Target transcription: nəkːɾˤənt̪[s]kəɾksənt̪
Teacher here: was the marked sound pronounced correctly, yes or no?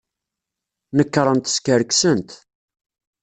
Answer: yes